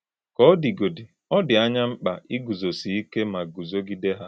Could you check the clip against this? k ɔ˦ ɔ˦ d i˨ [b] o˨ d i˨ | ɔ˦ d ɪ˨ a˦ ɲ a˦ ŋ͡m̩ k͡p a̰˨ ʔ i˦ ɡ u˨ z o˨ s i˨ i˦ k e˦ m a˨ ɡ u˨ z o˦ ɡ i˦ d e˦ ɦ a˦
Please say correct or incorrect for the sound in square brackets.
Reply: incorrect